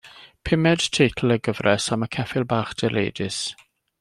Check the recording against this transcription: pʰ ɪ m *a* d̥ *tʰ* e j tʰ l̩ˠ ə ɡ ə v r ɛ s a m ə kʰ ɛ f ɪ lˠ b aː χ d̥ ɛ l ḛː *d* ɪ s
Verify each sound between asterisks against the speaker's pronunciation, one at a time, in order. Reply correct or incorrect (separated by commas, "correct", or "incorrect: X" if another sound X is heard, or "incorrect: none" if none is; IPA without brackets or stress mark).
incorrect: ɛ, correct, correct